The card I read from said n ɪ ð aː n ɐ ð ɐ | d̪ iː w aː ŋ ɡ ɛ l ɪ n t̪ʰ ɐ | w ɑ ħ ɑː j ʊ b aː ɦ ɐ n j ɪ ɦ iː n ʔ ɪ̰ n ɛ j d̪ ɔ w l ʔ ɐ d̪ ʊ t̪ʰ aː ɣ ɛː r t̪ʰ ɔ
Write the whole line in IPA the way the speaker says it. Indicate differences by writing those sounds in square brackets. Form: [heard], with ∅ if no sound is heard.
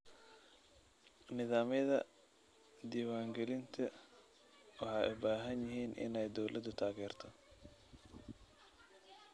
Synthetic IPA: n ɪ ð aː [m] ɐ ð ɐ | d̪ iː w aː ŋ ɡ ɛ l ɪ n t̪ʰ ɐ | w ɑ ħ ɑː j ʊ b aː ɦ ɐ n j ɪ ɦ iː n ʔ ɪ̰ n ɛ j d̪ ɔ w l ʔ ɐ d̪ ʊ t̪ʰ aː ɣ ɛː r t̪ʰ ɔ